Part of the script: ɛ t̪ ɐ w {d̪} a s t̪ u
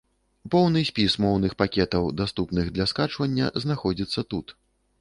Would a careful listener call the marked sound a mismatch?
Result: no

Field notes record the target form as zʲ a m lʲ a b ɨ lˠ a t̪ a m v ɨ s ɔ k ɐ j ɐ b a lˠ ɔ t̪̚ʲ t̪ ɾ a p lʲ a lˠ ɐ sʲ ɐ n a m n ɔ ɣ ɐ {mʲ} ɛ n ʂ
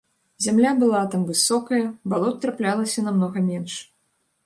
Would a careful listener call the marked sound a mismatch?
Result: no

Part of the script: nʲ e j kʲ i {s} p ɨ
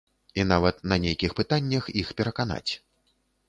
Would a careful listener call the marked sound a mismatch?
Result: yes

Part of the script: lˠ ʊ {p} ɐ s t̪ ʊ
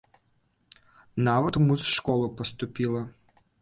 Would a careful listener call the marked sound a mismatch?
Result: no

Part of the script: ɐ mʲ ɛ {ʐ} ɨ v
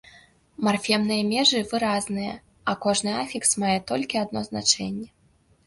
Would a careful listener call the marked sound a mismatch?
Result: no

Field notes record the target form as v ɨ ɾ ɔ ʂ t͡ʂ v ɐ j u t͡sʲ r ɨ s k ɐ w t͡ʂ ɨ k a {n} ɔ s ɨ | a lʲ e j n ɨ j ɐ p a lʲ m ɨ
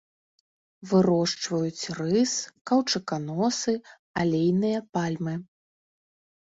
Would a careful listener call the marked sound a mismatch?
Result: no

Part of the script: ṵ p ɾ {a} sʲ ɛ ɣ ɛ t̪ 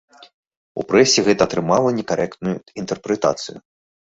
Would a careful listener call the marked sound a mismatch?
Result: yes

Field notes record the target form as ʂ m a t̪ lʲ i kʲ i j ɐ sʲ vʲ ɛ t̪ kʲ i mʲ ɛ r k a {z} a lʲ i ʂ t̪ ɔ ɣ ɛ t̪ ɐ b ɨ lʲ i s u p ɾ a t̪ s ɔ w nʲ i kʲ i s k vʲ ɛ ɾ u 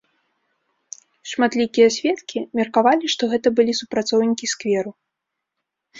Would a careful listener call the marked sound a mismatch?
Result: yes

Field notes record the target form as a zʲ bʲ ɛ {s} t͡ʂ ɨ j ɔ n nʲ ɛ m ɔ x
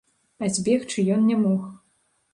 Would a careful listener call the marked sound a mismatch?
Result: yes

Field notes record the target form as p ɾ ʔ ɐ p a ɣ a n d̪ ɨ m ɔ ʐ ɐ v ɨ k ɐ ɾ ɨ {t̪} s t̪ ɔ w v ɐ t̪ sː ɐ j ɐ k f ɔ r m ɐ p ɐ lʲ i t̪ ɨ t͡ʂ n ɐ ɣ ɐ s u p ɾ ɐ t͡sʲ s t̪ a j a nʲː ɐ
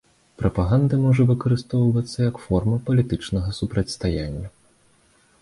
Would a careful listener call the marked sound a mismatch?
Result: yes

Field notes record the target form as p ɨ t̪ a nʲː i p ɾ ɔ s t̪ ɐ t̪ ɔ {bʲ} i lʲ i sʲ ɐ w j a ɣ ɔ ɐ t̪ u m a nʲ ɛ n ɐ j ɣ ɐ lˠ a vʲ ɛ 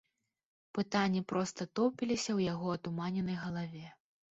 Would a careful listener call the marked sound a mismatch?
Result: yes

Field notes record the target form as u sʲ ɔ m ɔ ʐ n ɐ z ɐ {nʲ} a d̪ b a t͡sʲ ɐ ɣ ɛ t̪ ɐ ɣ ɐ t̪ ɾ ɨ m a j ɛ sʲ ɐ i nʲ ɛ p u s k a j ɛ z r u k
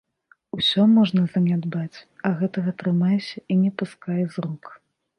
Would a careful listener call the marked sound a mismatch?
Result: no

